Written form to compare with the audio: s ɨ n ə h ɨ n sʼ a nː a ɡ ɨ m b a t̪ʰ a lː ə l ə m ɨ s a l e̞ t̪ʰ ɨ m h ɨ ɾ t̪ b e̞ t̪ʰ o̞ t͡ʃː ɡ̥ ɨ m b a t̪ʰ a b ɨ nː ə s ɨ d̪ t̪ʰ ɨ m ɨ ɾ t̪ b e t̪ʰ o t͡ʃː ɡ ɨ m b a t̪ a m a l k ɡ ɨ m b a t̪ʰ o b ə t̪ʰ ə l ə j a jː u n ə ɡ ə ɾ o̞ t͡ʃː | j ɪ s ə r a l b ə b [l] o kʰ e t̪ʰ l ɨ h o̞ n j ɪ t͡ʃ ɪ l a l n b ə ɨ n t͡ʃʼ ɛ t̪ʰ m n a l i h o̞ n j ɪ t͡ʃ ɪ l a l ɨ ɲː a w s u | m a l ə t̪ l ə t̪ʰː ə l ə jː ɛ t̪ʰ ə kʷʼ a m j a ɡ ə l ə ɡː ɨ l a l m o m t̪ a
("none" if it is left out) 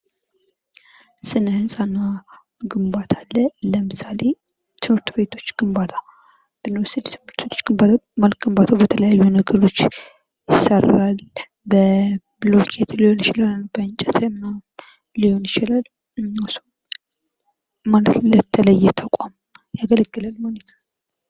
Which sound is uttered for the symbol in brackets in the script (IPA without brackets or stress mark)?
l